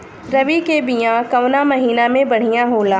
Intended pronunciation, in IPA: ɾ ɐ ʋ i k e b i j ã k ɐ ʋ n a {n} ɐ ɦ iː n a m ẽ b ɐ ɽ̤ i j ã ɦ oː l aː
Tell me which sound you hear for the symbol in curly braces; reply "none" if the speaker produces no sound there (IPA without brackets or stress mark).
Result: m